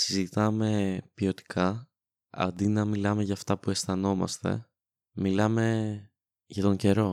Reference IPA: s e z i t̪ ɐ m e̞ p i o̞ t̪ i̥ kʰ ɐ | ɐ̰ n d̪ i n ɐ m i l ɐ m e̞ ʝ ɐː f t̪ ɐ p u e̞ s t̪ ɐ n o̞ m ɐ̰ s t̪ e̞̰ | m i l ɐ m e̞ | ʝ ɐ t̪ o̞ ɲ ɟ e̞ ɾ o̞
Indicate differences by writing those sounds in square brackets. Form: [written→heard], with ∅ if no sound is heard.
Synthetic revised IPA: s [e→i] z i t̪ ɐ m e̞ p i o̞ t̪ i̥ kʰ ɐ | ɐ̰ n d̪ i n ɐ m i l ɐ m e̞ ʝ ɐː f t̪ ɐ p u e̞ s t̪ ɐ n o̞ m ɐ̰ s t̪ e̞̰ | m i l ɐ m e̞ | ʝ ɐ t̪ o̞ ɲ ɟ e̞ ɾ o̞